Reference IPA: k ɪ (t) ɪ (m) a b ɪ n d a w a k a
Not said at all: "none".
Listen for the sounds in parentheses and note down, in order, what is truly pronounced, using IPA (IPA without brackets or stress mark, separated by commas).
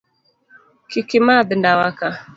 k, m